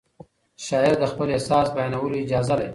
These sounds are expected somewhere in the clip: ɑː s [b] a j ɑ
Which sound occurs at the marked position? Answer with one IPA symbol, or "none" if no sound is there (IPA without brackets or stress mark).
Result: b